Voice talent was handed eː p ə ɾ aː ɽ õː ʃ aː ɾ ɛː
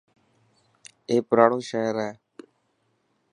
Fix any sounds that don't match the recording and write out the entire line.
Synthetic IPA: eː p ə ɾ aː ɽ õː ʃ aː ɾ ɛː

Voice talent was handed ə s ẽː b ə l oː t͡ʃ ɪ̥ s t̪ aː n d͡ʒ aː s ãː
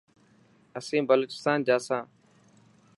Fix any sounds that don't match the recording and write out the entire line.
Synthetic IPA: ə s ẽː b ə l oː t͡ʃ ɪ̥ s t̪ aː n d͡ʒ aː s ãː

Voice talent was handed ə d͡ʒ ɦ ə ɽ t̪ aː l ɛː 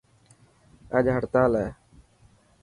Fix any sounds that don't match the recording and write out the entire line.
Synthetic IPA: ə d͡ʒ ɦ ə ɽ t̪ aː l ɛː

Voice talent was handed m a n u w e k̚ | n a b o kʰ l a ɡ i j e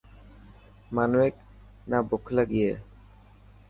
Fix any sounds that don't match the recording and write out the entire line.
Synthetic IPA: m a n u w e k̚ | n a b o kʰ l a ɡ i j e

